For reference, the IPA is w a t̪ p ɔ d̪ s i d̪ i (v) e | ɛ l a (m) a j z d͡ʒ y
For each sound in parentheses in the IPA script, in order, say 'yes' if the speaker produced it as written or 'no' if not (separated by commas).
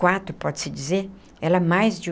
no, yes